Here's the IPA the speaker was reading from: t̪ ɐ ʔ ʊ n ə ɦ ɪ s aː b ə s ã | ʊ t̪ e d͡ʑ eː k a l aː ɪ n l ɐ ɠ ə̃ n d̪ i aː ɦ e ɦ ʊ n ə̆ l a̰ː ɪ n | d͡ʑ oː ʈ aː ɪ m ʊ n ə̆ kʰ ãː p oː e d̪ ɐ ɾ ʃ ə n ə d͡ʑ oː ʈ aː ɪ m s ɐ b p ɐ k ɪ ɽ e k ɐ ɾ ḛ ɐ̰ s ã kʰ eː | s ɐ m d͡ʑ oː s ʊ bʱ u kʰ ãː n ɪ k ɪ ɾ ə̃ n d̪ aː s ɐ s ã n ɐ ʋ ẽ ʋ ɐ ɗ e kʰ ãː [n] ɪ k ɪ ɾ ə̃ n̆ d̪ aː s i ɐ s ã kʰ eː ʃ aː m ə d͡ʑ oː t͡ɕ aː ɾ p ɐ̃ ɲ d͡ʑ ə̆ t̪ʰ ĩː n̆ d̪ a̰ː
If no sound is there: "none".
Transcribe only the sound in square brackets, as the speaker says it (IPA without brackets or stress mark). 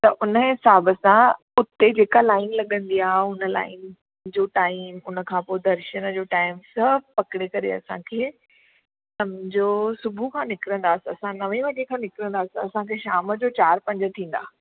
n